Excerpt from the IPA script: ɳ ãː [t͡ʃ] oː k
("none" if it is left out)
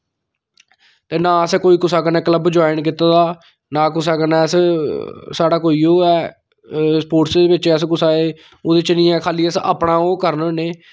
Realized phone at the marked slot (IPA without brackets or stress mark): none